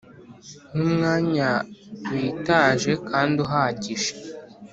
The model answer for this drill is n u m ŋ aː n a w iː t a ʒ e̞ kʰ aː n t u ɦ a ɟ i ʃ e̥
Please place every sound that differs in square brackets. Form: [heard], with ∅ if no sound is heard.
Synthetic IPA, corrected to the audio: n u m ŋ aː [ɲ] a w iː t a ʒ e̞ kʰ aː n [d] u ɦ a ɟ i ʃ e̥